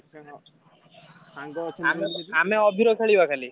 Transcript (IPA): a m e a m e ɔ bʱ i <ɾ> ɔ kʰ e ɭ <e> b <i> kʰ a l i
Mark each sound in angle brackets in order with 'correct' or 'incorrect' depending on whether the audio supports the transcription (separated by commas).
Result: correct, incorrect, incorrect